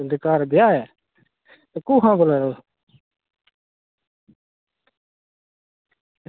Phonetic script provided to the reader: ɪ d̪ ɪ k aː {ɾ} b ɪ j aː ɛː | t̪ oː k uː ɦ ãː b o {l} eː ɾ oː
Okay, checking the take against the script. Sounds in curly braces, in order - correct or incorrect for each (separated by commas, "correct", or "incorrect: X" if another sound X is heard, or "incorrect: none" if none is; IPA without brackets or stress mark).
correct, correct